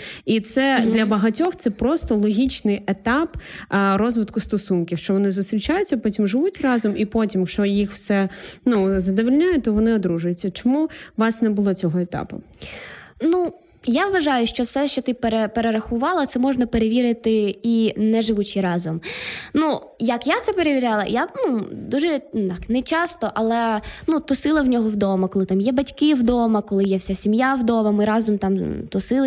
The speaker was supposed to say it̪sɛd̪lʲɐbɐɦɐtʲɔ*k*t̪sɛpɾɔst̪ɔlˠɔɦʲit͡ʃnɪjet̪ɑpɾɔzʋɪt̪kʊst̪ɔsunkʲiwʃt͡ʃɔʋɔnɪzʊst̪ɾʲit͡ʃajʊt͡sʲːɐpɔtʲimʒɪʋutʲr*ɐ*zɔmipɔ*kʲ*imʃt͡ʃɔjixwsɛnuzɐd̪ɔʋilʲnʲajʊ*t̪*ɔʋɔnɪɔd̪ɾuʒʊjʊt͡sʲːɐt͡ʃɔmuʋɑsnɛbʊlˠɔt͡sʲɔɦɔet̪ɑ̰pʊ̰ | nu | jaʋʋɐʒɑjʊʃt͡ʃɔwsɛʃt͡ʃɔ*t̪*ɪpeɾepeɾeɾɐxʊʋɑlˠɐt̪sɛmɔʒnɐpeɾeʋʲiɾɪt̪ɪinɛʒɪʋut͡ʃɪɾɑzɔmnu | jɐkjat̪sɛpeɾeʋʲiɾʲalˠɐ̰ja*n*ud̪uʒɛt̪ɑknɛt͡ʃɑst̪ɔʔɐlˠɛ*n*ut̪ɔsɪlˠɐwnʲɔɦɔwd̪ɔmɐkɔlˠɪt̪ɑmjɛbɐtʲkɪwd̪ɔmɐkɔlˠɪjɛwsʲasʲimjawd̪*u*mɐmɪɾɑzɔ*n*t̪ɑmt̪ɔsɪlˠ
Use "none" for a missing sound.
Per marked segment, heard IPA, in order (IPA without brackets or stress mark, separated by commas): x, ɑ, tʲ, t̪, t̪, n, n, ɔ, m